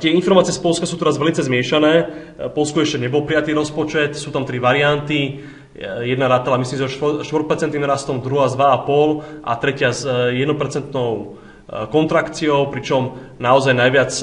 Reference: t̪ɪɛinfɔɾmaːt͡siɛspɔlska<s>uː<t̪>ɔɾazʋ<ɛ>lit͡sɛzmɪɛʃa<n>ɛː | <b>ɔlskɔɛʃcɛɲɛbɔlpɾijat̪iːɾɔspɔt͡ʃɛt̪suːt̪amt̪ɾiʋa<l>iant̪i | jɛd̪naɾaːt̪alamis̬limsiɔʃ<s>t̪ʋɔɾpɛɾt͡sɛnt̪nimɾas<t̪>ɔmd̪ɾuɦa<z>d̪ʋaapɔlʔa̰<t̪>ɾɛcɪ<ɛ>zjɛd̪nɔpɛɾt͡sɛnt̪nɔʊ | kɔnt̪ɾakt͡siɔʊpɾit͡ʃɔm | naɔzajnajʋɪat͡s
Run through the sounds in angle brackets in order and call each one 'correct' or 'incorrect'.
correct, correct, correct, correct, incorrect: p, incorrect: ɾ, incorrect: ʃ, correct, correct, correct, incorrect: a

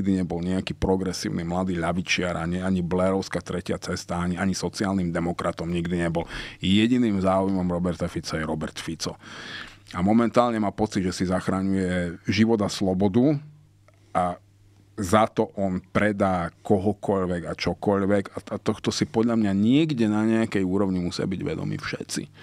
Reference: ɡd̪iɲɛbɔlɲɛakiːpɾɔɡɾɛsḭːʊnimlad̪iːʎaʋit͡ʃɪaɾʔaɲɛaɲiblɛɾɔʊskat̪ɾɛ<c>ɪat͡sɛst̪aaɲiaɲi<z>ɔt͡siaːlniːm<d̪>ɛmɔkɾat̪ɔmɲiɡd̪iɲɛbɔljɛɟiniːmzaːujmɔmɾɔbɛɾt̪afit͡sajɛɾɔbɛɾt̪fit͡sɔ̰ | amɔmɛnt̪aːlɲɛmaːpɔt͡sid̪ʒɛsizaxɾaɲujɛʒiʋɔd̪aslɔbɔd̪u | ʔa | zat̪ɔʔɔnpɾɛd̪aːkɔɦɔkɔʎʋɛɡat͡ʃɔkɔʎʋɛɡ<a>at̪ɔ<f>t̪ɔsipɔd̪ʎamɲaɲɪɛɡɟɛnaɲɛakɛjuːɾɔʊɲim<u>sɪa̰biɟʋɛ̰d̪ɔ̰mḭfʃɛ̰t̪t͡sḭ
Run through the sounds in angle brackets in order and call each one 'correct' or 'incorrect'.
correct, incorrect: s, correct, correct, incorrect: x, correct

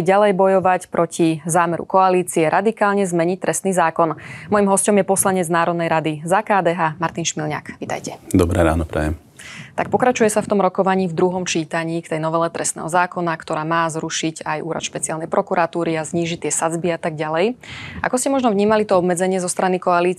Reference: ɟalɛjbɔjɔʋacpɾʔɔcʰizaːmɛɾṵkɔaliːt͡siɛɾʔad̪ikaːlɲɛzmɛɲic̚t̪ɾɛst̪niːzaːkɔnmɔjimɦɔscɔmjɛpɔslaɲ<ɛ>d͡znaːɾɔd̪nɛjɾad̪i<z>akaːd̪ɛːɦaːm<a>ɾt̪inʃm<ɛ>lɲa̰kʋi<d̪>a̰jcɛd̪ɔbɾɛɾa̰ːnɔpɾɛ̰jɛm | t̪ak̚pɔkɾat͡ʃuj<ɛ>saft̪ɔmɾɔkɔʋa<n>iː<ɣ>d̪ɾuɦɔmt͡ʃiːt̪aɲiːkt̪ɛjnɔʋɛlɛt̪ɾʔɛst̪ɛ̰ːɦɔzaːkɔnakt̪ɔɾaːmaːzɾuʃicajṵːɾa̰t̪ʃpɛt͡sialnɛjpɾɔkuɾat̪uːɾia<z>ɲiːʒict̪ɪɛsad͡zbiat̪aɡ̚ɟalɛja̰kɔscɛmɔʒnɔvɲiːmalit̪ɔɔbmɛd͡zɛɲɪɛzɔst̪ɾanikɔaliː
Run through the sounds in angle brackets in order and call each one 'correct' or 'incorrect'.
correct, correct, correct, incorrect: i, incorrect: t̪, correct, incorrect: ɲ, incorrect: v, correct

